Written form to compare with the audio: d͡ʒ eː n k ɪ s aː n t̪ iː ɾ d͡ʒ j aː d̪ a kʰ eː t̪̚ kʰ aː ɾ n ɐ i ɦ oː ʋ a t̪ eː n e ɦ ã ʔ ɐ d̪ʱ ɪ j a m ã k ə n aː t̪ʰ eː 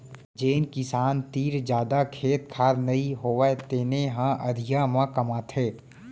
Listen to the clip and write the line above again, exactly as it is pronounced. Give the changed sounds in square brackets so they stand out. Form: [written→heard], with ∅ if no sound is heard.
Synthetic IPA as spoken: d͡ʒ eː n k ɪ s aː n t̪ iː ɾ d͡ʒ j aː d̪ a kʰ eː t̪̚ kʰ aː ɾ n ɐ i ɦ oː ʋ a t̪ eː n e ɦ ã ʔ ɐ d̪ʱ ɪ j a m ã k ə [n→m] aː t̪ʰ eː